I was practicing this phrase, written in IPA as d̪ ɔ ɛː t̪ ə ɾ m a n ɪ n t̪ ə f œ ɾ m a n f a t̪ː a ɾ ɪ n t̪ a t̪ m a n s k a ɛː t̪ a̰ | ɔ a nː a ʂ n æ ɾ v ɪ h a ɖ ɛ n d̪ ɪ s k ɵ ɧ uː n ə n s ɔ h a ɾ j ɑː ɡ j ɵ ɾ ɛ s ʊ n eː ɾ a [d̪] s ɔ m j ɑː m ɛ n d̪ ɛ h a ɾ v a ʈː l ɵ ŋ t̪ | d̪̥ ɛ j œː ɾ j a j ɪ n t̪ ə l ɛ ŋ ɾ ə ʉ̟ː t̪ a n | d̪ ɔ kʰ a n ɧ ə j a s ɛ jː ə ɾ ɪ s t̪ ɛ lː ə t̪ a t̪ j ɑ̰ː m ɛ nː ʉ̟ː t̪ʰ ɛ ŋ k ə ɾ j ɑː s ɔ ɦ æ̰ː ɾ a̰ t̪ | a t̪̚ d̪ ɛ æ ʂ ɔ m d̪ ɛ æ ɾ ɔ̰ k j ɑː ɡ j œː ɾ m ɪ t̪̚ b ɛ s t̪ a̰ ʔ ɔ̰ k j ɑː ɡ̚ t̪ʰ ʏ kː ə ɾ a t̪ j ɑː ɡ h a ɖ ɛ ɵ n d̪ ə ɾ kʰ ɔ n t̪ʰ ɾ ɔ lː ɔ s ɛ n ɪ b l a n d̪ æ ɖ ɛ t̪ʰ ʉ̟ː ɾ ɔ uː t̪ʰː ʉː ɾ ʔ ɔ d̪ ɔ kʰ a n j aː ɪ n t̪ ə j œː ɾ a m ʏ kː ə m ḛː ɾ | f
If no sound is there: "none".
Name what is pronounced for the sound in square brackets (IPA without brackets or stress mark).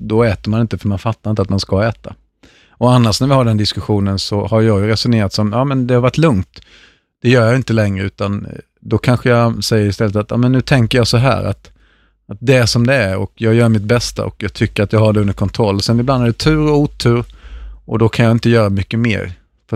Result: t̪